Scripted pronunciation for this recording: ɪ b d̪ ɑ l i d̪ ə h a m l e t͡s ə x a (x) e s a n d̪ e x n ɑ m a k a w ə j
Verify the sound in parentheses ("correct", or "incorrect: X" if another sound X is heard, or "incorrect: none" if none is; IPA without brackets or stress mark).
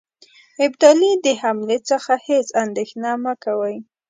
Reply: incorrect: h